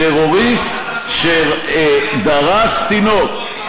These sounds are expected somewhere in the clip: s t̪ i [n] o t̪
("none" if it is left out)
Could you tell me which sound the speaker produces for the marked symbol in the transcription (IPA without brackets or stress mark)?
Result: n